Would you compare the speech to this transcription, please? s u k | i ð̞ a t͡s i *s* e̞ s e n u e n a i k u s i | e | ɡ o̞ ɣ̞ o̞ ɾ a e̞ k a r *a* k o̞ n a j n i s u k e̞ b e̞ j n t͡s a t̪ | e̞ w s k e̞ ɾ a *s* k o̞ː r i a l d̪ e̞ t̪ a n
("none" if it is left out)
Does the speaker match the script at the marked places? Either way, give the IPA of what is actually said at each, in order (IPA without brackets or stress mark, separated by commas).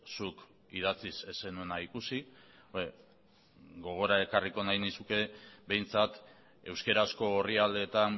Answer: s, i, s